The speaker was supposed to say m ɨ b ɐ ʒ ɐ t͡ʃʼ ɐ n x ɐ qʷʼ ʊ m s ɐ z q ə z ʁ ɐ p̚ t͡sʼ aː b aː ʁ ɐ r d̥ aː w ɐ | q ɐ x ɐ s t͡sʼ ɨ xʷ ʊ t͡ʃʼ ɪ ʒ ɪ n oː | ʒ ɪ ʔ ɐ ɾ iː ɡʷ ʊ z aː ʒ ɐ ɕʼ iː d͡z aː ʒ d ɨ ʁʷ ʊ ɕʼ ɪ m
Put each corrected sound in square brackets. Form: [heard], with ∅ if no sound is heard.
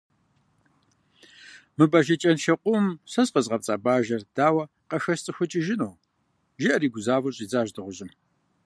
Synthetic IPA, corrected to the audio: m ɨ b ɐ ʒ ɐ t͡ʃʼ ɐ n [ʃ] ɐ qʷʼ ʊ m s ɐ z q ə z ʁ ɐ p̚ t͡sʼ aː b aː [ʒ] ɐ r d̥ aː w ɐ | q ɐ x ɐ s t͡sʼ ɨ xʷ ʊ t͡ʃʼ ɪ ʒ ɪ n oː | ʒ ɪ ʔ ɐ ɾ iː ɡʷ ʊ z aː [v] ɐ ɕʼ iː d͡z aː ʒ d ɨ ʁʷ ʊ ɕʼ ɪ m